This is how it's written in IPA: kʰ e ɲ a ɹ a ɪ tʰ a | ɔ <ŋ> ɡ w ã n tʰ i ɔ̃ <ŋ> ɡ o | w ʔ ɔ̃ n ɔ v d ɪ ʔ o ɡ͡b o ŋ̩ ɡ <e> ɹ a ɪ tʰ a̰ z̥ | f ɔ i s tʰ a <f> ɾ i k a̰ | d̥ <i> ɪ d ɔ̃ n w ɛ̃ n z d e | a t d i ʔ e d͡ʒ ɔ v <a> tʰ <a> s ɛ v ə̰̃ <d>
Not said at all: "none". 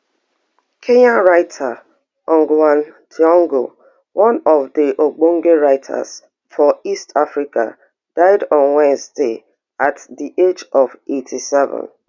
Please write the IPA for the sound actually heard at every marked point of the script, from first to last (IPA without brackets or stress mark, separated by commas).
ŋ, ŋ, e, f, a, e, i, n